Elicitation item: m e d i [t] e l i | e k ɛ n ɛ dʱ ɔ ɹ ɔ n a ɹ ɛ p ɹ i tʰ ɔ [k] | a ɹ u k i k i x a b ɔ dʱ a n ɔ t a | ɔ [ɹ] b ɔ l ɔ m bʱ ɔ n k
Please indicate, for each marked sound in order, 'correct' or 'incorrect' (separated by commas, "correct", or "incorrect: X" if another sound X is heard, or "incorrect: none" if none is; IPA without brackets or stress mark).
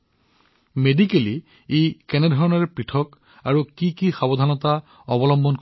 incorrect: k, correct, incorrect: none